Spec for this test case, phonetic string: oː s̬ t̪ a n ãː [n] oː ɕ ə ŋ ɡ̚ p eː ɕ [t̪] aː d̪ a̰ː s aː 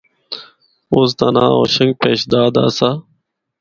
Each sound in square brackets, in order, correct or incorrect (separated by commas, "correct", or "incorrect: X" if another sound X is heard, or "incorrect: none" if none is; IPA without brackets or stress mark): incorrect: none, incorrect: d̪